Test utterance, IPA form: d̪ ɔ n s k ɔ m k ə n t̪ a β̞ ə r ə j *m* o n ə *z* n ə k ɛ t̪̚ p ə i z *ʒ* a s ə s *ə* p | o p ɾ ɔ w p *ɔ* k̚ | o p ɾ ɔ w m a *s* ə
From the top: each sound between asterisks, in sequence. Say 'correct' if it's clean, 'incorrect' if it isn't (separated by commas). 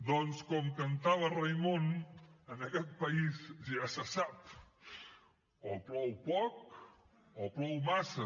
correct, incorrect, correct, incorrect, correct, correct